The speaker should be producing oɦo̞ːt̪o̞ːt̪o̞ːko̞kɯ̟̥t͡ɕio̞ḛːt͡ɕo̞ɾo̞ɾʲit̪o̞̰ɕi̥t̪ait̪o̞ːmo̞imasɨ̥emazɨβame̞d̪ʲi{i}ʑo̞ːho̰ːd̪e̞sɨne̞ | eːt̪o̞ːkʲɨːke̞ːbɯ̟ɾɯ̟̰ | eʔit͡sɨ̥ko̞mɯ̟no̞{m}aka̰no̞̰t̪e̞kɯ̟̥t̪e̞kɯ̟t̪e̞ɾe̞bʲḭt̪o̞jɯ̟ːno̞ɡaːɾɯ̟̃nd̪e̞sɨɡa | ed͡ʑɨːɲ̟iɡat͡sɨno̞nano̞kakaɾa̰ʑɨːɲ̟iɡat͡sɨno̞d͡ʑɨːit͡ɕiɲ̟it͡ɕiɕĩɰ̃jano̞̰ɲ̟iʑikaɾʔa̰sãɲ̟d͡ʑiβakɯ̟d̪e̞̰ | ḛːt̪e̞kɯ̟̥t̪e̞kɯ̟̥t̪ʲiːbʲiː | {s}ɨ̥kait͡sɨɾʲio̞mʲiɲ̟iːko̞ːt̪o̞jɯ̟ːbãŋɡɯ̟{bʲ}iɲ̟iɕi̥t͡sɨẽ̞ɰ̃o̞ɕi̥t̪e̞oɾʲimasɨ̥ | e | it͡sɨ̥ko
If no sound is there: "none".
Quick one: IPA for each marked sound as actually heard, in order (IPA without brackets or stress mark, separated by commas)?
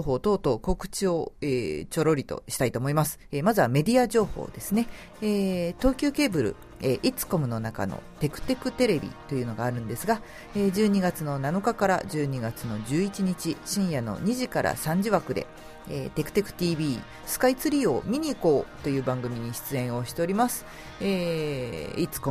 a, n, s, mʲ